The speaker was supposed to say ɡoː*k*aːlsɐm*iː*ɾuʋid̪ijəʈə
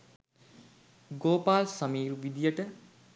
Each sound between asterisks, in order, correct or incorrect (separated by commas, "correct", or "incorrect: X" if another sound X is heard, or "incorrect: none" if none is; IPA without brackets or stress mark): incorrect: p, correct